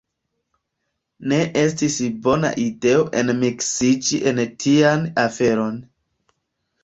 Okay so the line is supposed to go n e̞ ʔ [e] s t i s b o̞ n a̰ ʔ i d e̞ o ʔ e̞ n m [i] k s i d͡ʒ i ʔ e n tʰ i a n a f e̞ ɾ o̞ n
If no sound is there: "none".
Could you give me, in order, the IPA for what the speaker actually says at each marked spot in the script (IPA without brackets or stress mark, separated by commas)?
e, i